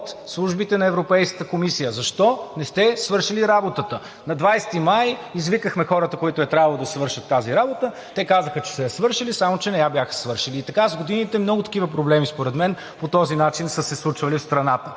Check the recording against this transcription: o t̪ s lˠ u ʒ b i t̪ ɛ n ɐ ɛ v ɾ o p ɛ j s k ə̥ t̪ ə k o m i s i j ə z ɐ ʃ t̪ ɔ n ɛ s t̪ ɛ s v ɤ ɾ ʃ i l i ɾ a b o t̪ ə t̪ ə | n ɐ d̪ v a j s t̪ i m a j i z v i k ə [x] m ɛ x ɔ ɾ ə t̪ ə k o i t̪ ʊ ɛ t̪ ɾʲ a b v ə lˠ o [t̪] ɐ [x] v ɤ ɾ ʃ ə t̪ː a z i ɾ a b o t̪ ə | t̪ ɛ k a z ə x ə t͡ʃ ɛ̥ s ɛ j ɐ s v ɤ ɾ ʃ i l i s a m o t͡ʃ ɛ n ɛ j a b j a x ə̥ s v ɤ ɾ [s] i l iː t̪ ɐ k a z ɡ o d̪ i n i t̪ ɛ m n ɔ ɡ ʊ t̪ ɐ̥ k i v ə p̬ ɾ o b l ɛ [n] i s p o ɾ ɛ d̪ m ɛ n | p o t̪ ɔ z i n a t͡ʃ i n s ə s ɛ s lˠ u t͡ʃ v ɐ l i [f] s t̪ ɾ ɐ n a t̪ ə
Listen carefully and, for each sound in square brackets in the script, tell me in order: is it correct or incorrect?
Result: correct, incorrect, incorrect, incorrect, incorrect, correct

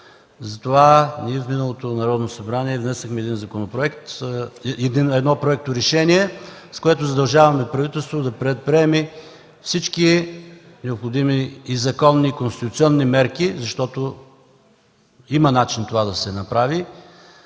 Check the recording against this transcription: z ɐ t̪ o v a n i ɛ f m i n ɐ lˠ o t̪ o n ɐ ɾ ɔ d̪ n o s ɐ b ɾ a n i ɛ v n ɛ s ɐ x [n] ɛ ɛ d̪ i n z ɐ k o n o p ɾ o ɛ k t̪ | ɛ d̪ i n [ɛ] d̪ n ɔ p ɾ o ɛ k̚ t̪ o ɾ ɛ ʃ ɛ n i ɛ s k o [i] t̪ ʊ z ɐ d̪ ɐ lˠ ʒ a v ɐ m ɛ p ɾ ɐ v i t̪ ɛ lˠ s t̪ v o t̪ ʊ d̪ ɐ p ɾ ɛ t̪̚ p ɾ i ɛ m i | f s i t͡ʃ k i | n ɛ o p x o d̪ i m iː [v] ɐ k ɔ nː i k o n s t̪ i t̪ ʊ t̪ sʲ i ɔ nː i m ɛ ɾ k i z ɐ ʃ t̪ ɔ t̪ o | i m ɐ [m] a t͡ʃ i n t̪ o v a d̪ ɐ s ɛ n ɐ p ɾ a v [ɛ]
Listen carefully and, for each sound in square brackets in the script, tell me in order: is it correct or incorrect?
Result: incorrect, correct, incorrect, incorrect, incorrect, incorrect

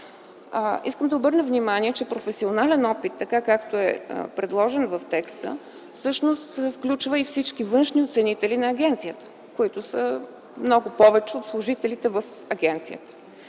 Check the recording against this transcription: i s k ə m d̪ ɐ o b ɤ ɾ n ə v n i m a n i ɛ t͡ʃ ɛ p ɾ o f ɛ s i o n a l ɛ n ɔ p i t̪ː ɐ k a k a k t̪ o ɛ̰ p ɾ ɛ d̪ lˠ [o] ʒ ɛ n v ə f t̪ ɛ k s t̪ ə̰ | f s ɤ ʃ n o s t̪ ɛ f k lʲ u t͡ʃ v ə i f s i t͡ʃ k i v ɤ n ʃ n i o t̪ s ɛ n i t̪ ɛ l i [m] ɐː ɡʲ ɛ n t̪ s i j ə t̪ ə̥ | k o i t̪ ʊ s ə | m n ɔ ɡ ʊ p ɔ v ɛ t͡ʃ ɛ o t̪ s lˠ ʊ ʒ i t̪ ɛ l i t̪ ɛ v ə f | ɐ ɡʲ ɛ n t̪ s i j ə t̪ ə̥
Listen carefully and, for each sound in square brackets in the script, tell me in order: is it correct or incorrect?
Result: incorrect, incorrect

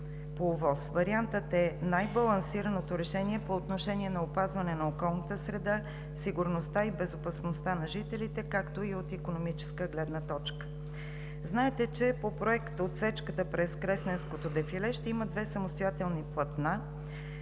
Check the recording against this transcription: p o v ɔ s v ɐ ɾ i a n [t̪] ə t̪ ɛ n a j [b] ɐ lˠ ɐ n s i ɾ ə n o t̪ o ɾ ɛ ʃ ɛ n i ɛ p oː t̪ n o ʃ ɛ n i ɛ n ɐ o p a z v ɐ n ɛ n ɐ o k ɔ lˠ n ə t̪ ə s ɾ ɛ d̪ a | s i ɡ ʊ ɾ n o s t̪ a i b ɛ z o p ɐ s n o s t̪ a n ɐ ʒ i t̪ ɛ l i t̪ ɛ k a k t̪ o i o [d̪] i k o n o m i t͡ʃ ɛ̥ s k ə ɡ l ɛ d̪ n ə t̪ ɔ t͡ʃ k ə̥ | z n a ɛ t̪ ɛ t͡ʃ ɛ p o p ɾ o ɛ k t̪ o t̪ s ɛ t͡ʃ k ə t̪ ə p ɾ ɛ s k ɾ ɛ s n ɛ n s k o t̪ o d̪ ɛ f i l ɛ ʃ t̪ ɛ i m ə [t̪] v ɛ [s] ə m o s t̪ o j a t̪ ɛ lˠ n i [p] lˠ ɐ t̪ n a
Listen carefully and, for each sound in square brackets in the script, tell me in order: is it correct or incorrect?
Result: correct, correct, incorrect, incorrect, correct, correct

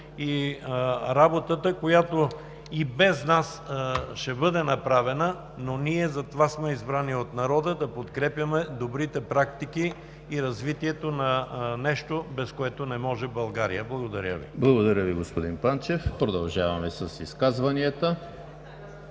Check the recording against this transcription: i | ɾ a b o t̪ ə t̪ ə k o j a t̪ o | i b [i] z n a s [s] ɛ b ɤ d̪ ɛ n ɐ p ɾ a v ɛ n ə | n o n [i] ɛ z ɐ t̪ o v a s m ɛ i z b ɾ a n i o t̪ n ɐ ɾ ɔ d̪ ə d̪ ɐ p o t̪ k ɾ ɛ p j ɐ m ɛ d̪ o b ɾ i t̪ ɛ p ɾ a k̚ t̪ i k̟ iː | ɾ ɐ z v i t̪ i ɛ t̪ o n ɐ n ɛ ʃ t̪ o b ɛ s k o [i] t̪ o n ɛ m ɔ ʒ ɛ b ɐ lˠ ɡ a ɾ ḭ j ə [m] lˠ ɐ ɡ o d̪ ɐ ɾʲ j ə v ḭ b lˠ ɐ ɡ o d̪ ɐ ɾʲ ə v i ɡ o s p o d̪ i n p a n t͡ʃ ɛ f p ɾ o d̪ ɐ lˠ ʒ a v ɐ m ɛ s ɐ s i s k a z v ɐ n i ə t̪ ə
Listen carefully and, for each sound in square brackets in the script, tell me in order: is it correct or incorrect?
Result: incorrect, incorrect, correct, incorrect, incorrect

